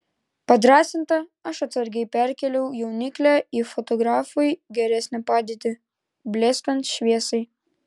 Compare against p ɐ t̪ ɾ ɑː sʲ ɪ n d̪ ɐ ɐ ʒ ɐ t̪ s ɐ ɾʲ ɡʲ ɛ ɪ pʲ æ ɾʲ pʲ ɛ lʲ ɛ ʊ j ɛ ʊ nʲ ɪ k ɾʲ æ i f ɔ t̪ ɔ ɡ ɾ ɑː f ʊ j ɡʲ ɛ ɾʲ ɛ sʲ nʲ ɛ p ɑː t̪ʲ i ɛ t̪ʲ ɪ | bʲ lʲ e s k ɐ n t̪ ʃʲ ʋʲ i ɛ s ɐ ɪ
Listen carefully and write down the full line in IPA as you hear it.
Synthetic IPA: p ɐ d̪ ɾ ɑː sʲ ɪ n t̪ ɐ ɐ ʃ ɐ t̪ s ɐ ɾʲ ɡʲ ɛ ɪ pʲ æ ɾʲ kʲ ɛ lʲ ɛ ʊ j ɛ ʊ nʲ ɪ k lʲ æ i f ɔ t̪ ɔ ɡ ɾ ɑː f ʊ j ɡʲ ɛ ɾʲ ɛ sʲ nʲ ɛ p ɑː d̪ʲ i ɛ t̪ʲ ɪ | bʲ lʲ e s k ɐ n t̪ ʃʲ ʋʲ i ɛ s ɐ ɪ